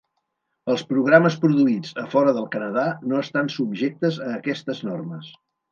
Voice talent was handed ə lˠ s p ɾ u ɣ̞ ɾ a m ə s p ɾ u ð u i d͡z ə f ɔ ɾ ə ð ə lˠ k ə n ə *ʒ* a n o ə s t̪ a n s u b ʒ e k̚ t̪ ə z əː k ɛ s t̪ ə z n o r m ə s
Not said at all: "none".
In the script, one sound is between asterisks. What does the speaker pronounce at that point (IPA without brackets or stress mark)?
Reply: ð